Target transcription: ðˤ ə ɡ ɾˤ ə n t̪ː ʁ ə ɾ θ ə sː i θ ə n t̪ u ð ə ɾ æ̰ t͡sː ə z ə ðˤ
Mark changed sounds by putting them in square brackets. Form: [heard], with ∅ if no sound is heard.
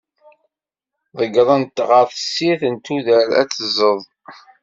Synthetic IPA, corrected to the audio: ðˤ ə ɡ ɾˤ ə n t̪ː ʁ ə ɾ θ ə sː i θ ə n t̪ u ð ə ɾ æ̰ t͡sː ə z ə ðˤ